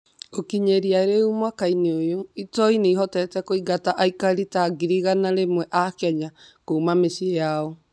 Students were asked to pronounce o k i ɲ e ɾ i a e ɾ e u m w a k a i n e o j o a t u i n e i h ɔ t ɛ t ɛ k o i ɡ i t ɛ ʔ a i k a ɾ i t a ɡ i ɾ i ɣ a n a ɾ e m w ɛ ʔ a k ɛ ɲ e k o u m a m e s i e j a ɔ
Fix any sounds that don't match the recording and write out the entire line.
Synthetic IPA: o k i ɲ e ɾ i a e ɾ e u m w a k a i n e o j o i t ɔ i n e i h ɔ t ɛ t ɛ k o i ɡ a t a ʔ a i k a ɾ i t a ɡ i ɾ i ɣ a n a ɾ e m w ɛ ʔ a k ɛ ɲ a k o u m a m e s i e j a ɔ

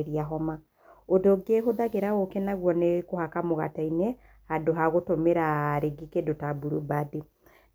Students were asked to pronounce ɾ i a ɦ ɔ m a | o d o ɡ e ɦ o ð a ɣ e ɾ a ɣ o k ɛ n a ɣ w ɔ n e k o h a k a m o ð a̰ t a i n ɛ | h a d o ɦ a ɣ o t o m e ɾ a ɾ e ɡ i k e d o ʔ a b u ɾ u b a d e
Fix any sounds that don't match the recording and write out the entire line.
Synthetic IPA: ɾ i a ɦ ɔ m a | o d o ɡ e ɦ o ð a ɣ e ɾ a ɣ o k ɛ n a ɣ w ɔ n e k o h a k a m o ɣ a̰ t a i n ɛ | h a d o ɦ a ɣ o t o m e ɾ a ɾ e ɡ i k e d o t a b u ɾ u b a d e

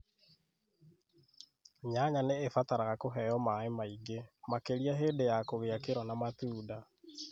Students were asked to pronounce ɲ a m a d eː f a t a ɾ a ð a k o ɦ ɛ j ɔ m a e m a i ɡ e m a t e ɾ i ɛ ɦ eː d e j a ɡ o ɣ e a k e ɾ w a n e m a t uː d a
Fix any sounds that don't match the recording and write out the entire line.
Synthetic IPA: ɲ a ɲ a n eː f a t a ɾ a ɣ a k o ɦ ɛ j ɔ m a e m a i ɡ e m a k e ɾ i a ɦ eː d e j a k o ɣ e a k e ɾ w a n a m a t uː d a

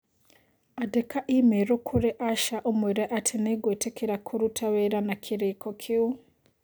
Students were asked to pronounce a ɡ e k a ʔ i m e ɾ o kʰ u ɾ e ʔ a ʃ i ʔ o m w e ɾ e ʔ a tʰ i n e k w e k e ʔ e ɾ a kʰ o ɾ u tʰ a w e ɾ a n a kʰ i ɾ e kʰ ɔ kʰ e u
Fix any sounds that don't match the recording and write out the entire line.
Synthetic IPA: a d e k a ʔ i m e ɾ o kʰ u ɾ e ʔ a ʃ a ʔ o m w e ɾ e ʔ a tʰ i n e ɡ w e t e k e ɾ a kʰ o ɾ u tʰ a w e ɾ a n a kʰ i ɾ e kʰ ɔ kʰ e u

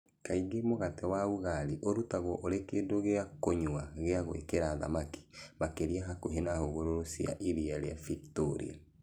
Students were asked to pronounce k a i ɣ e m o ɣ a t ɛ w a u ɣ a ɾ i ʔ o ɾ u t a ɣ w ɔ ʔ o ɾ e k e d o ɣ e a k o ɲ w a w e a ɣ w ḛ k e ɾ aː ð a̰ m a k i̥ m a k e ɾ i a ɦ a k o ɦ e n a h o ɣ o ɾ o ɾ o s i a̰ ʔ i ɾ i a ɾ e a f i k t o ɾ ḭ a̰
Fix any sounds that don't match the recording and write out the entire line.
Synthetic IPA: k a i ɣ e m o ɣ a t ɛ w a u ɣ a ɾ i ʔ o ɾ u t a ɣ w ɔ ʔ o ɾ e k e d o ɣ e a k o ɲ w a ɣ e a ɣ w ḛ k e ɾ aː ð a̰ m a k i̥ m a k e ɾ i a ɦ a k o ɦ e n a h o ɣ o ɾ o ɾ o s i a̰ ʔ i ɾ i a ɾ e a f i k t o ɾ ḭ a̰

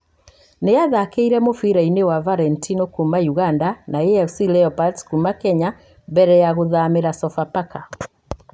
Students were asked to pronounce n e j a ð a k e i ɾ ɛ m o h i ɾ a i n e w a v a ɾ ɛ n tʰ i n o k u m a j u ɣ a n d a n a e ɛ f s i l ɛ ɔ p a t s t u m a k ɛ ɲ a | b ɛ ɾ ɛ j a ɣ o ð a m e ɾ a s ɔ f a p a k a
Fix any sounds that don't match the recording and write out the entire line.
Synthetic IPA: n e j a ð a k e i ɾ ɛ m o f i ɾ a i n e w a v a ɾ ɛ n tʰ i n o k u m a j u ɣ a n d a n a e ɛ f s i l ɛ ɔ p a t s k u m a k ɛ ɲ a | b ɛ ɾ ɛ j a ɣ o ð a m e ɾ a s ɔ f a p a k a

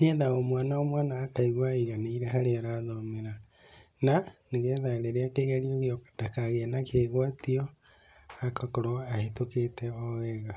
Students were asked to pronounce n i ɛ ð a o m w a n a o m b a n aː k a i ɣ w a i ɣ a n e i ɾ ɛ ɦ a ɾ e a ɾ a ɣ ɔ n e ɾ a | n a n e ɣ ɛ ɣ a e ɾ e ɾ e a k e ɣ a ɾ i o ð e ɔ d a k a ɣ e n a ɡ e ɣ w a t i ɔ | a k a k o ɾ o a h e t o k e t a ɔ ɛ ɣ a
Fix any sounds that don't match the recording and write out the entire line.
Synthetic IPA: n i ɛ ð a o m w a n a o m w a n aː k a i ɣ w a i ɣ a n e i ɾ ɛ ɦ a ɾ e a ɾ a ð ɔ m e ɾ a | n a n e ɣ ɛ ð a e ɾ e ɾ e a k e ɣ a ɾ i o ɣ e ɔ d a k a ɣ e n a k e ɣ w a t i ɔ | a k a k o ɾ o a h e t o k e t ɛ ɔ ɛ ɣ a

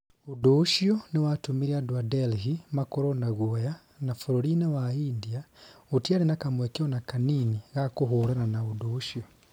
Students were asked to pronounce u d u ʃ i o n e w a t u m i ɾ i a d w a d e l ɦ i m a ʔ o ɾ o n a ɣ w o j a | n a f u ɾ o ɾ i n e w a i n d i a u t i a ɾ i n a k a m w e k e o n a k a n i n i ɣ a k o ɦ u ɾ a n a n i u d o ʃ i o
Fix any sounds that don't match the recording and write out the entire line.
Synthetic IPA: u d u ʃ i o n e w a t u m i ɾ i a d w a d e l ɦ i m a k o ɾ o n a ɣ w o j a | n a f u ɾ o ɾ i n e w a i n d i a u t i a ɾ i n a k a m w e k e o n a k a n i n i ɣ a k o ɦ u ɾ a n a n a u d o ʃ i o

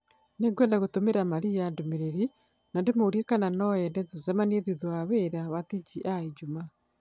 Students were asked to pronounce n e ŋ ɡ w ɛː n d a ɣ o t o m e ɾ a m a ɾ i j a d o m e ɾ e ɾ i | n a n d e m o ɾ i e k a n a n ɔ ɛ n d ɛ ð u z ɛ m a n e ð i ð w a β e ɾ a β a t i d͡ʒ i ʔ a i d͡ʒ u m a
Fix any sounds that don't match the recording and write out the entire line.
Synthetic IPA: n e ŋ ɡ w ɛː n d a ɣ o t o m e ɾ a m a ɾ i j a d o m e ɾ e ɾ i | n a n d e m o ɾ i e k a n a n ɔ ɛ n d ɛ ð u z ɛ m a n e ð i ð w a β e ɾ a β a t i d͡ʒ i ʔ a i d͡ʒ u m a

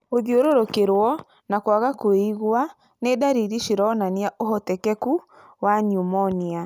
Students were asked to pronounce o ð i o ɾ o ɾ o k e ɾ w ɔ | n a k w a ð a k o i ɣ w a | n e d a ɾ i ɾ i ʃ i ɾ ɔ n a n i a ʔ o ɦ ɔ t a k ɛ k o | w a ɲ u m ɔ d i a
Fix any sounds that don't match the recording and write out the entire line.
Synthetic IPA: o ð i o ɾ o ɾ o k e ɾ w ɔ | n a k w a ɣ a k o i ɣ w a | n e d a ɾ i ɾ i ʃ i ɾ ɔ n a n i a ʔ o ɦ ɔ t ɛ k ɛ k u | w a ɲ u m ɔ n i a

